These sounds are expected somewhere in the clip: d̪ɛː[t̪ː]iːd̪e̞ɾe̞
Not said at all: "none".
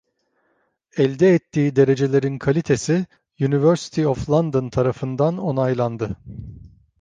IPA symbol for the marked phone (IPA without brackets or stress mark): t̪ː